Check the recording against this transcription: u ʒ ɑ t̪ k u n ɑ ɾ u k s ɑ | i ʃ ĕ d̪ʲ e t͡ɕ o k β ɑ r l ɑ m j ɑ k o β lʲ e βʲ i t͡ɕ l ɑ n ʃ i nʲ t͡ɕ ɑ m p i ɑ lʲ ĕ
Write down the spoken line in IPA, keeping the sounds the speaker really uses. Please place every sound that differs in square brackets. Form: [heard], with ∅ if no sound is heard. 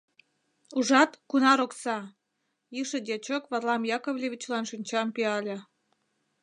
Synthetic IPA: u ʒ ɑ t̪ k u n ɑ ɾ [o] k s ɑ | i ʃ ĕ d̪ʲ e t͡ɕ o k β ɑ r l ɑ m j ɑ k o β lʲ e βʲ i t͡ɕ l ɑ n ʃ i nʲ t͡ɕ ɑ m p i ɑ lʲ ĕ